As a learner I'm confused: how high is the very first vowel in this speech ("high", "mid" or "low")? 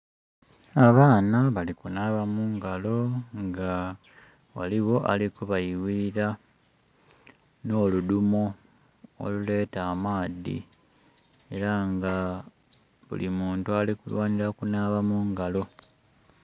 low